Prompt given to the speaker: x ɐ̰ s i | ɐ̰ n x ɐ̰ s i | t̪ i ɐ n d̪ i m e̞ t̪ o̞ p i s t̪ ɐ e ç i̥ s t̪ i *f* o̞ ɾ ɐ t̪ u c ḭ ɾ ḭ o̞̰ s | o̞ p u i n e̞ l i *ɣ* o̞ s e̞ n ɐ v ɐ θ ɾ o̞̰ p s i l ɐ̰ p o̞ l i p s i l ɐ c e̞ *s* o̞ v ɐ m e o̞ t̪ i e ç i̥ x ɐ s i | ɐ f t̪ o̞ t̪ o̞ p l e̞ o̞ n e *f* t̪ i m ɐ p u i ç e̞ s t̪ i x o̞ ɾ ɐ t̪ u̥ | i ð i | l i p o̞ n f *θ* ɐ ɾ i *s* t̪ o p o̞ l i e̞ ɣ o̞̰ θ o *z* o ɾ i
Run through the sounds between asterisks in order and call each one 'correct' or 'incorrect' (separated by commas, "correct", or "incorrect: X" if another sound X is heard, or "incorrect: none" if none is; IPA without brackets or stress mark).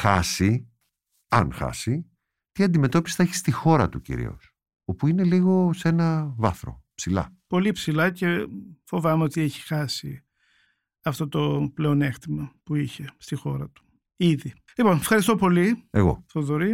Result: incorrect: x, correct, incorrect: f, incorrect: x, incorrect: x, correct, incorrect: ð